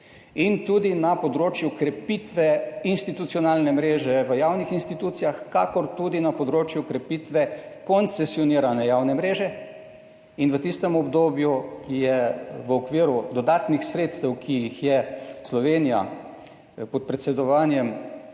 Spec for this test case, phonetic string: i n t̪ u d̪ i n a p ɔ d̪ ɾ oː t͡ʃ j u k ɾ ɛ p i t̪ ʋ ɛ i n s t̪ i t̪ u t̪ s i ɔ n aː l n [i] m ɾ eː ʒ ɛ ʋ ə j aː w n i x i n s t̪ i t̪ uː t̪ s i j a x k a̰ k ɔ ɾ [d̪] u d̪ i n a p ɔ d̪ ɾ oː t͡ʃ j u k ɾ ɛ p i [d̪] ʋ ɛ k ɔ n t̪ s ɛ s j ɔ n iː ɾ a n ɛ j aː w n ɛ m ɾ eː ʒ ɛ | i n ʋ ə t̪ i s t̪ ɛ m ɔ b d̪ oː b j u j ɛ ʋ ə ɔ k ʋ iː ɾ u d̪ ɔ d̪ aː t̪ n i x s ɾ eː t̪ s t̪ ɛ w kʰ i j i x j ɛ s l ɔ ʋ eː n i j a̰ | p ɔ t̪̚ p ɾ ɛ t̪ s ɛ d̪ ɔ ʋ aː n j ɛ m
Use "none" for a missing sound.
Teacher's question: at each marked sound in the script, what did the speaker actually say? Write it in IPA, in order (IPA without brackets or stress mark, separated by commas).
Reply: ɛ, t̪, t̪